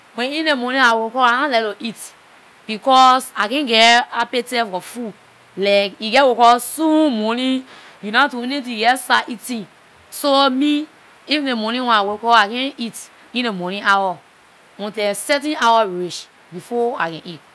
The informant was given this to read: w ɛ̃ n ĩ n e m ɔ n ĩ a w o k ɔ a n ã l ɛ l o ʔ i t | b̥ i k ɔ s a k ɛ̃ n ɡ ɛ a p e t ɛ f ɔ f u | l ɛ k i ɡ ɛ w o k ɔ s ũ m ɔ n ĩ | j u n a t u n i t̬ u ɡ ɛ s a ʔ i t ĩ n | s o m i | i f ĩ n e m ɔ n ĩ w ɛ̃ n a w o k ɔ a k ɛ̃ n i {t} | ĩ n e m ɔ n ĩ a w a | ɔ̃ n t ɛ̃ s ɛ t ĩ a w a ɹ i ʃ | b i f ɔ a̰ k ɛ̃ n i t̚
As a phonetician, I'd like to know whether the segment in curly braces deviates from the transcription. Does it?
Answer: no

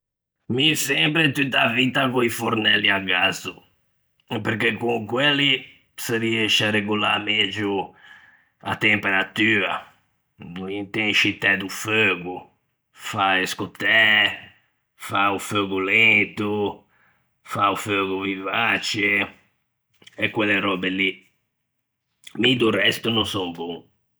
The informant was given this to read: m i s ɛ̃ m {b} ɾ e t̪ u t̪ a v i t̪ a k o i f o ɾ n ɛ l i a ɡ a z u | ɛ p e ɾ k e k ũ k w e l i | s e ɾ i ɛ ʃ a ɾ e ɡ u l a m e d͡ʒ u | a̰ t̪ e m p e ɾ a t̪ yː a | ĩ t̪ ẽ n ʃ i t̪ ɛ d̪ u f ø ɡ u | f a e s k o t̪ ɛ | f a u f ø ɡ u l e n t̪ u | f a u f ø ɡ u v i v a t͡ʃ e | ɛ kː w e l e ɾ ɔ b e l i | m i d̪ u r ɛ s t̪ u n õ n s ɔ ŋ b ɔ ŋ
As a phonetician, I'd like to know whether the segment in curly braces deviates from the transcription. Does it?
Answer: yes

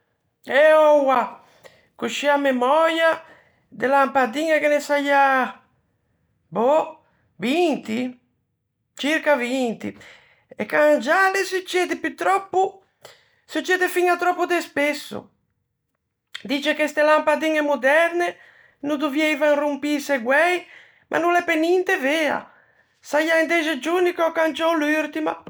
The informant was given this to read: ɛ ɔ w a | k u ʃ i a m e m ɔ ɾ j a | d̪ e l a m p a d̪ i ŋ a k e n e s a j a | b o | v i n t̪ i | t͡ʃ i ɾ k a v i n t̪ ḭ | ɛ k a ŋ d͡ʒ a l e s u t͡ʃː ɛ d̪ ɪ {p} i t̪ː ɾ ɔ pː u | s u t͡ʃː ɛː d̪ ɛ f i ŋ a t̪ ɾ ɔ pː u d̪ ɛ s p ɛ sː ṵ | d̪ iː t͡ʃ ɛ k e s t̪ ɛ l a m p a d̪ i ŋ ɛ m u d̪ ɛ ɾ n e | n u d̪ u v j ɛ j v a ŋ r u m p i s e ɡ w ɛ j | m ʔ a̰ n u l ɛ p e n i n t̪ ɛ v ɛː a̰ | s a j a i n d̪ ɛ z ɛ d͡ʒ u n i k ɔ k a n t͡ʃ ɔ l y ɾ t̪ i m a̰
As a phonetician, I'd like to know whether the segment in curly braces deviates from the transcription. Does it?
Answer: no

